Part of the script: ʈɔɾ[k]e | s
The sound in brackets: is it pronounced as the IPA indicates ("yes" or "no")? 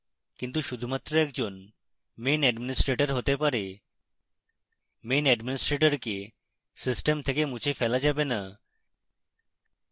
yes